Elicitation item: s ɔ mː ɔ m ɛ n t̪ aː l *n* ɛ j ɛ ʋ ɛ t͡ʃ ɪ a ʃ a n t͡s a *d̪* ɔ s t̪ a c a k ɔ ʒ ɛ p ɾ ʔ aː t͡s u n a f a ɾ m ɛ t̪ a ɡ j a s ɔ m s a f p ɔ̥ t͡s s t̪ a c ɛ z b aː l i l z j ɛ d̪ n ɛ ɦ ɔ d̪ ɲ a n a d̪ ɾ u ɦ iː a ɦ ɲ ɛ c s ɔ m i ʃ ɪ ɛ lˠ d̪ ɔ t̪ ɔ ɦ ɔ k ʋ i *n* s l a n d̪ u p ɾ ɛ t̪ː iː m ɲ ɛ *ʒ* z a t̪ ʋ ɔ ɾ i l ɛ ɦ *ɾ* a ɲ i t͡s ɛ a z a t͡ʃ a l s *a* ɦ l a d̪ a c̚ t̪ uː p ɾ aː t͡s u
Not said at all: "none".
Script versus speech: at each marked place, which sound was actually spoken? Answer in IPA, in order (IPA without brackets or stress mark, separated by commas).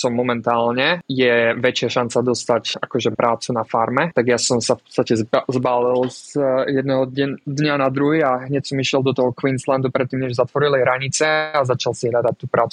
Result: ɲ, d̪, n, ʒ, ɾ, i